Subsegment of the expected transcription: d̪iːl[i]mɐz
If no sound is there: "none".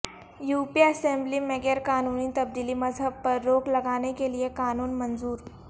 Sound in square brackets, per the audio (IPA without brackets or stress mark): i